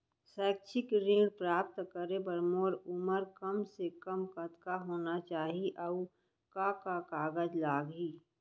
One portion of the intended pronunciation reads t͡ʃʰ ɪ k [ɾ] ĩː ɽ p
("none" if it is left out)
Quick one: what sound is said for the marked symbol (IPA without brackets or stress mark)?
ɾ